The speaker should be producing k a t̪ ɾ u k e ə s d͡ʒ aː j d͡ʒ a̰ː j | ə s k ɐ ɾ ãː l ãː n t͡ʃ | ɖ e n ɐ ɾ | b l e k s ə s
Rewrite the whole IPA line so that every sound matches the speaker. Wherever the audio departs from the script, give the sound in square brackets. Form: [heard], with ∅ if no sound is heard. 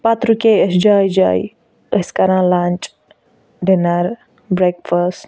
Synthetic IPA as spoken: [p] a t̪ ɾ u k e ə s d͡ʒ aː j d͡ʒ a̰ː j | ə s k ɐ ɾ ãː l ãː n t͡ʃ | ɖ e n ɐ ɾ | b [ɾ] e k [f] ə s